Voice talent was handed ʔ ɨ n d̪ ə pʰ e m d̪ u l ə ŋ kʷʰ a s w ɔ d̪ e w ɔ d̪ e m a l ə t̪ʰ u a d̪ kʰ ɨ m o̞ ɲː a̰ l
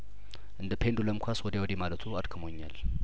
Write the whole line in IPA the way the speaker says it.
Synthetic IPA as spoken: ʔ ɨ n d̪ ə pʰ e n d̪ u l ə m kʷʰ a s w ɔ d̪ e w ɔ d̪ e m a l ə t̪ʰ u a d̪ kʰ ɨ m o̞ ɲː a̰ l